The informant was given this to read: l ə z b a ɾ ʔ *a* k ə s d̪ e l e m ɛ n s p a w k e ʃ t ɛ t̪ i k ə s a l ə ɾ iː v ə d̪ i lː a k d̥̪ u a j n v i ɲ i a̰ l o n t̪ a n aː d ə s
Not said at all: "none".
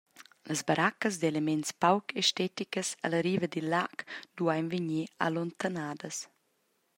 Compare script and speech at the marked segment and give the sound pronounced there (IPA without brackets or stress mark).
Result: a